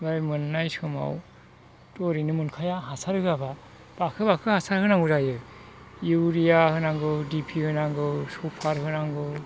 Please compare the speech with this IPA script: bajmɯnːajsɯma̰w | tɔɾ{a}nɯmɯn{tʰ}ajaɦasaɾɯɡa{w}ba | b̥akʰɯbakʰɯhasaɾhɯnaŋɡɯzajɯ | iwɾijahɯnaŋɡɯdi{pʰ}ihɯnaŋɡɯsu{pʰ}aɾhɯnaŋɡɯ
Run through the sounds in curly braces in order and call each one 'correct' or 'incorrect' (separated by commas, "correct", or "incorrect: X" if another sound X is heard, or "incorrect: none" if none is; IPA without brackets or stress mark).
incorrect: i, incorrect: kʰ, incorrect: none, correct, correct